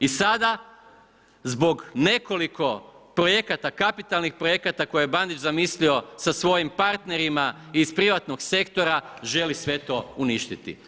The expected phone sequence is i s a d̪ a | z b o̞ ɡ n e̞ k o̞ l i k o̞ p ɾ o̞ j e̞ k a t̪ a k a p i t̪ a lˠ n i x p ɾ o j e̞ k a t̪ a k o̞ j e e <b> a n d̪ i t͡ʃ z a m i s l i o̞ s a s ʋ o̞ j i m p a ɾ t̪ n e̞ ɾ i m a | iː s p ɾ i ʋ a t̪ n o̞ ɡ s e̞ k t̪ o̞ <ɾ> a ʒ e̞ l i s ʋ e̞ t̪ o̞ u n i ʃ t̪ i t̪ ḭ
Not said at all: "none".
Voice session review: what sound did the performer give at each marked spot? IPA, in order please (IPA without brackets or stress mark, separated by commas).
b, ɾ